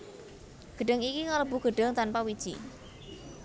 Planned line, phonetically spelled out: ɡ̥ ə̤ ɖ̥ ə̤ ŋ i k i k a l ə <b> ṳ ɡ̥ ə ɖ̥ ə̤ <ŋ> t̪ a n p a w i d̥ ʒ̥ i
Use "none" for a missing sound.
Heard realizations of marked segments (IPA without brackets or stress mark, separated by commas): b, ŋ